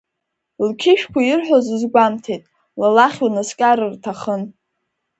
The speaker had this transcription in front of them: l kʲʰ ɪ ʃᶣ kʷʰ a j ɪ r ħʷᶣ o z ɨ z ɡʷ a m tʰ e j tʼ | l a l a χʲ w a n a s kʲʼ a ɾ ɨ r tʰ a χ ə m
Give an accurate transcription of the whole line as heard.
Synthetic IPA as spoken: l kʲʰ ɪ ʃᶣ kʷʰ a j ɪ r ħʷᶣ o z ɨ z ɡʷ a m tʰ e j tʼ | l a l a χʲ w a n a s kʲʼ a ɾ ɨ r tʰ a χ ə n